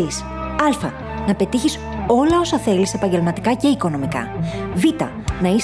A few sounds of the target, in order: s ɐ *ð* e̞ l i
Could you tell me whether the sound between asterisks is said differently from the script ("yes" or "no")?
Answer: yes